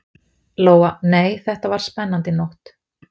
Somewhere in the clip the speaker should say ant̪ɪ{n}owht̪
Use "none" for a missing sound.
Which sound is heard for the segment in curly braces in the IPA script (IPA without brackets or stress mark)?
n